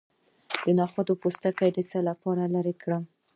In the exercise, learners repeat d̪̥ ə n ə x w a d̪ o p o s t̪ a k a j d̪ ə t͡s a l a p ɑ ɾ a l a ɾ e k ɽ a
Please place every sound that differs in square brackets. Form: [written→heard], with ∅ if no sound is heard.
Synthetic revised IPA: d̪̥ ə n [ə→ɑ] x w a d̪ o p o s t̪ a k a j d̪ ə t͡s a l a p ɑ ɾ a l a ɾ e k ɽ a